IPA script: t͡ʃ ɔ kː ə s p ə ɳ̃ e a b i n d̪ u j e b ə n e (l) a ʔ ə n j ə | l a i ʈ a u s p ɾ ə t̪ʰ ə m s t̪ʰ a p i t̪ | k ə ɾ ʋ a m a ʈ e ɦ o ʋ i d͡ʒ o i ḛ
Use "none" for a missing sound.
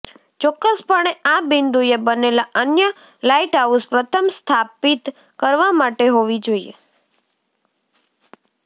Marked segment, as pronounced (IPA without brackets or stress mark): l